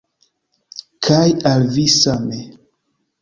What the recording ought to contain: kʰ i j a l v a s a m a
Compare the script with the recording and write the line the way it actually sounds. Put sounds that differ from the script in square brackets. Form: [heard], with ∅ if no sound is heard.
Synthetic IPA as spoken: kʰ [a] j a l v [i] s a m [e]